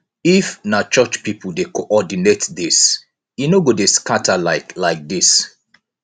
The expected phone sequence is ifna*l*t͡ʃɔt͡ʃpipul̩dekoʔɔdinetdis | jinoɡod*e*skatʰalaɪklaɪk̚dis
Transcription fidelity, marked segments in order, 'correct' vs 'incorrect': incorrect: none, correct

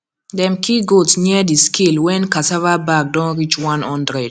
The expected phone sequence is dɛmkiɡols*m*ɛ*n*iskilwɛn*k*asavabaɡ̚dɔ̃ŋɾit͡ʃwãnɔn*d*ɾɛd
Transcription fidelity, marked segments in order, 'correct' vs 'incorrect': incorrect: ɲ, incorrect: d, correct, correct

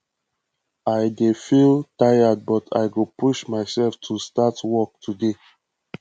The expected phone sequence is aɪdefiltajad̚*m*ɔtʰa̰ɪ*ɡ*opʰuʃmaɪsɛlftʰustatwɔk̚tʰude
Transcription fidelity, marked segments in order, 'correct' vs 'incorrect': incorrect: b, correct

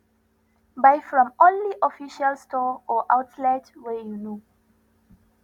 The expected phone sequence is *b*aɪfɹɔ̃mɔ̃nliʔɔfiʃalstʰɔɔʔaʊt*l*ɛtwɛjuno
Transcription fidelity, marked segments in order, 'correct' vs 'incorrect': correct, correct

